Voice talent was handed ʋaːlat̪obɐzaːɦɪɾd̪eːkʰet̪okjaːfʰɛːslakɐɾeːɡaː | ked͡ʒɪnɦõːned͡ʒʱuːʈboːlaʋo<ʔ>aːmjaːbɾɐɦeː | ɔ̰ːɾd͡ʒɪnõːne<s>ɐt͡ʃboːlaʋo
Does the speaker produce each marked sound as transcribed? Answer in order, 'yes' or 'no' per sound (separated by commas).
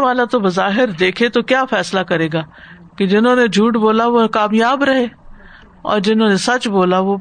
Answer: no, yes